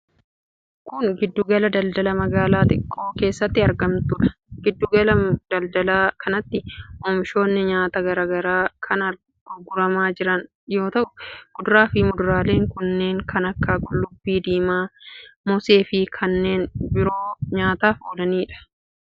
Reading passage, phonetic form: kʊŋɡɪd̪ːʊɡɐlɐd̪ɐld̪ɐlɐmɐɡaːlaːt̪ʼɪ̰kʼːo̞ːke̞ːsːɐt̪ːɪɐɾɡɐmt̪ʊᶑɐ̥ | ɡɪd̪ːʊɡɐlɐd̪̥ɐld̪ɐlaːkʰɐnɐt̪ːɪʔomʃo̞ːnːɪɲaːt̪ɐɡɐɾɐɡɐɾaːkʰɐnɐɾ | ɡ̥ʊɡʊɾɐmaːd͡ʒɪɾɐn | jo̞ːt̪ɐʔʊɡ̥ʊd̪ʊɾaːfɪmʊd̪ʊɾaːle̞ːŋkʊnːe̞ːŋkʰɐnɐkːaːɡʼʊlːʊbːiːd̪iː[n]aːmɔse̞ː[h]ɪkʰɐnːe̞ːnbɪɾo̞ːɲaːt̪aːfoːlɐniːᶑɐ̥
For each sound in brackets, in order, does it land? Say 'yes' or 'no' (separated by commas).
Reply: no, no